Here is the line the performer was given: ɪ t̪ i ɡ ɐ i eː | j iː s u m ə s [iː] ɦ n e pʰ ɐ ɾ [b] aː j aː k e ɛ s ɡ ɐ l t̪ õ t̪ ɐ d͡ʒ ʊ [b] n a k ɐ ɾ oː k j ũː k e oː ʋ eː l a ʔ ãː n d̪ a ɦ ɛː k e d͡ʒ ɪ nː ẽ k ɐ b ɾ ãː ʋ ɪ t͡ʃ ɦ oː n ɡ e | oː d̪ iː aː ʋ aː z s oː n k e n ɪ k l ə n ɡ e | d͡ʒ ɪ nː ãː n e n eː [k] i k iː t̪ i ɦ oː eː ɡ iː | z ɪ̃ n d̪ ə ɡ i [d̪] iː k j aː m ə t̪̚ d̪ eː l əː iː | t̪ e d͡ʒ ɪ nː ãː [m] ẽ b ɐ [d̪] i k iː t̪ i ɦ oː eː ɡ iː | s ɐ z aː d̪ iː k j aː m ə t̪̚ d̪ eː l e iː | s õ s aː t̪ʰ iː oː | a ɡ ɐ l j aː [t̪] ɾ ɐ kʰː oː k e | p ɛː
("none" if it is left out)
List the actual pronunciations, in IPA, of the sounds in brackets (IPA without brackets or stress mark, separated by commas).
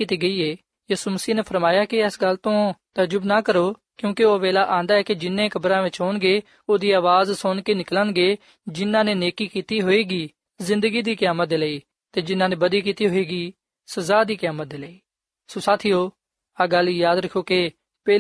iː, m, b, k, d̪, n, d̪, d̪